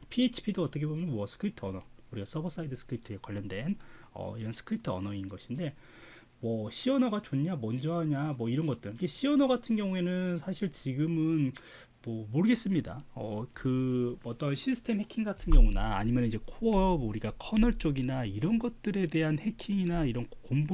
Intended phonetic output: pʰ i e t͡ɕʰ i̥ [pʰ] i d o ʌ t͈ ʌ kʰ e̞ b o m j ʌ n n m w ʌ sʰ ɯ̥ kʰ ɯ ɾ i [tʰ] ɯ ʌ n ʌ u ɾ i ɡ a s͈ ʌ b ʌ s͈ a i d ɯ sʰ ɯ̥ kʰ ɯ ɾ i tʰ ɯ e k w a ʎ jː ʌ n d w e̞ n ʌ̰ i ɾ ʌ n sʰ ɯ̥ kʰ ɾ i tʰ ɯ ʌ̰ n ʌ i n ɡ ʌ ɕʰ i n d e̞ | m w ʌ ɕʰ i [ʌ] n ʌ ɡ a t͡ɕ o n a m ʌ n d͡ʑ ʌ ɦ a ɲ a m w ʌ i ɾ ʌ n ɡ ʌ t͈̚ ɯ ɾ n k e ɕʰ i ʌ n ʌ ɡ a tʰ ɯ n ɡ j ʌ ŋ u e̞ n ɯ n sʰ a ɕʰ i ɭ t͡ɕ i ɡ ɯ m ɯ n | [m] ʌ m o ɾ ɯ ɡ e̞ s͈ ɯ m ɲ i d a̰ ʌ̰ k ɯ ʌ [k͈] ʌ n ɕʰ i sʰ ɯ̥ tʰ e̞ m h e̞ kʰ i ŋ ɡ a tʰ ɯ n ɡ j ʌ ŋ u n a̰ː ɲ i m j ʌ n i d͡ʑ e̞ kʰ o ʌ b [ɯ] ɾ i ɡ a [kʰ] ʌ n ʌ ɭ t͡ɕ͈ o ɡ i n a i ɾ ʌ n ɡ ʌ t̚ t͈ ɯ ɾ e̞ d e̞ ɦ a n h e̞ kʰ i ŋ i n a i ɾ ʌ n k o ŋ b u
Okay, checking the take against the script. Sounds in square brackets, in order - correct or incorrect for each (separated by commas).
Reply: correct, correct, correct, correct, incorrect, incorrect, correct